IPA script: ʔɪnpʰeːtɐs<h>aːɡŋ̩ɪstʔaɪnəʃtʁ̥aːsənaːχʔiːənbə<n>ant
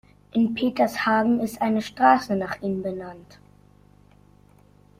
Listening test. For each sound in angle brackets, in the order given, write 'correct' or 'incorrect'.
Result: correct, correct

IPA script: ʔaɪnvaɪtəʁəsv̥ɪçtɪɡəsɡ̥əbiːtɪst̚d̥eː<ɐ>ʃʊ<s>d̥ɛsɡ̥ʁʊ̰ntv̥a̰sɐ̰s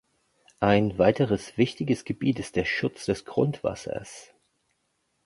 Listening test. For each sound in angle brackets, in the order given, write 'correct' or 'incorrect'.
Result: correct, incorrect: t͡s

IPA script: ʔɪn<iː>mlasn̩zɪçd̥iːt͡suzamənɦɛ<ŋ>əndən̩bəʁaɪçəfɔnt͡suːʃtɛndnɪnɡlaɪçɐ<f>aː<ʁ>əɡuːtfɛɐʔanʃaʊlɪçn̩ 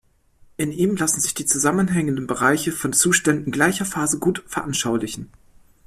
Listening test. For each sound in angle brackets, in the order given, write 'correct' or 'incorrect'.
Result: correct, correct, correct, incorrect: z

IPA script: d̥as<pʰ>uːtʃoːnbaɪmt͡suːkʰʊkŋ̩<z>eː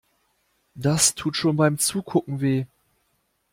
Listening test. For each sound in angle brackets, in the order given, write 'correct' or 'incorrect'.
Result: incorrect: tʰ, incorrect: v

